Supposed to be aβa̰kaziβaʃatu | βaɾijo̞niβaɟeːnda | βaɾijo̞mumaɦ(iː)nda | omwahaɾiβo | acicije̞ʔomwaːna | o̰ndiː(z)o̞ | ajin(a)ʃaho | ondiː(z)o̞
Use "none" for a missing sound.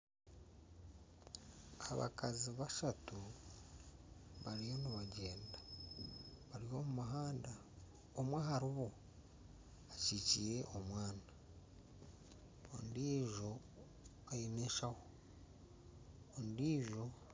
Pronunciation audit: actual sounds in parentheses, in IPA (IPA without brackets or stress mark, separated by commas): aː, ʒ, e, ʒ